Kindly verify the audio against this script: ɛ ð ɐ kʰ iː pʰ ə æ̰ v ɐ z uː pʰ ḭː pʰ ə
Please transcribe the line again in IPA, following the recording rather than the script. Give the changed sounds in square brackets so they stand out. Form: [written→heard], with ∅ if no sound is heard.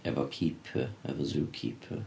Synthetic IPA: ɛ [ð→v] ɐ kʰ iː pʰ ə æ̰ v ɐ z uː [pʰ→kʰ] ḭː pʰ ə